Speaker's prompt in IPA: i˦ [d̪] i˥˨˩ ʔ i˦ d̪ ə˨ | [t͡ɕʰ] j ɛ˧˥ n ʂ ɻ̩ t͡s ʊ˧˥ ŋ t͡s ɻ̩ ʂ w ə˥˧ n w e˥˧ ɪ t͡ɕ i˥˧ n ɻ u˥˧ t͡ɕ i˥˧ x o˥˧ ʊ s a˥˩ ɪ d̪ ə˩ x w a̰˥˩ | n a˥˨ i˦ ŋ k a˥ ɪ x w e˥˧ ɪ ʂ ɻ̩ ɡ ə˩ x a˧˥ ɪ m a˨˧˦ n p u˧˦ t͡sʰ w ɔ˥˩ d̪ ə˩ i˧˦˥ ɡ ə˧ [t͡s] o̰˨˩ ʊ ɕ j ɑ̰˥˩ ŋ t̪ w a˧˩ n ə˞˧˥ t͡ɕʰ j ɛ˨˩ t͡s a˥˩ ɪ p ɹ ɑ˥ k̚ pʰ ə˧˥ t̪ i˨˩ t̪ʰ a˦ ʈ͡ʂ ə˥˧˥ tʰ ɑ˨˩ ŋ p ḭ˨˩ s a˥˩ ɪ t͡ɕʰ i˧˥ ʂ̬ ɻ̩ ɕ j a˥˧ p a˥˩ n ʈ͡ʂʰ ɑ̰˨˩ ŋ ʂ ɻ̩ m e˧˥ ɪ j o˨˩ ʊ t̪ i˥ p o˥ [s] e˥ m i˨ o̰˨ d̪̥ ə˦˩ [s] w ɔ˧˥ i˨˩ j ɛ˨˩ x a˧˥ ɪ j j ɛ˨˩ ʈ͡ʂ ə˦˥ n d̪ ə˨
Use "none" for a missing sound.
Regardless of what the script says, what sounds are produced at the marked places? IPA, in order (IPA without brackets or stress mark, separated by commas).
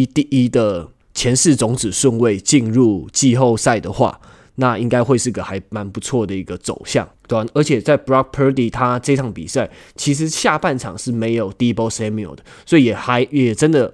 t̪, t͡ɕʰ, t͡s, s, s